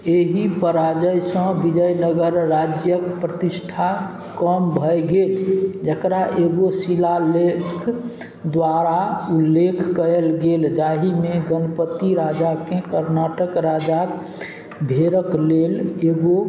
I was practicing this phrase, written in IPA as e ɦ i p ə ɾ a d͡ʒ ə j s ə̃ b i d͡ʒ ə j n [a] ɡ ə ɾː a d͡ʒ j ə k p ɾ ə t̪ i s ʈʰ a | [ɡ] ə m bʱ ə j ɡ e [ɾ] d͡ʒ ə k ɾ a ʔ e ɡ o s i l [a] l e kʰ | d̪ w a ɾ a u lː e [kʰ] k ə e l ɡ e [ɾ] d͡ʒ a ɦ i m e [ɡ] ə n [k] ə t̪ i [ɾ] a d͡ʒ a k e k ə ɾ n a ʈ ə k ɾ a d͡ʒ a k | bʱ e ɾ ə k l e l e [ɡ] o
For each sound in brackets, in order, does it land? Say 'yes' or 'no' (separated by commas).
no, no, no, yes, yes, no, yes, no, yes, yes